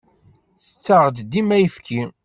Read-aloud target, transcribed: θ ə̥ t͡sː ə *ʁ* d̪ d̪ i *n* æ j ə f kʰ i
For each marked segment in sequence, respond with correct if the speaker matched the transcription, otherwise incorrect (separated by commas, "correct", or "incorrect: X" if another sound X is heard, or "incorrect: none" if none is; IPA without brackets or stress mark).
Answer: correct, incorrect: m